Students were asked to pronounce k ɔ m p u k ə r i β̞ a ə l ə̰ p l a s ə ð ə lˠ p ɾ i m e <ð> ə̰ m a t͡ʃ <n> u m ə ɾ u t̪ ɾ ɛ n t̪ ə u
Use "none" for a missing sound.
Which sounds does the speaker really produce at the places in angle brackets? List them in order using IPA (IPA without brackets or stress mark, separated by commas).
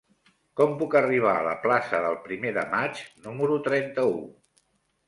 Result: ð, n